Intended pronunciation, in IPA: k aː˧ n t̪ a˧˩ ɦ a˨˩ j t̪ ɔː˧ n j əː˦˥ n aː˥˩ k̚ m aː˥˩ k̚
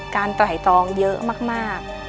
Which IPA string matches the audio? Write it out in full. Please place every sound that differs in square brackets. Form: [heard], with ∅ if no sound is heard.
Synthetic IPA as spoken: k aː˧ n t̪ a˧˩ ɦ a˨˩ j t̪ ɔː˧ [ŋ] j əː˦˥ [m] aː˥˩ k̚ m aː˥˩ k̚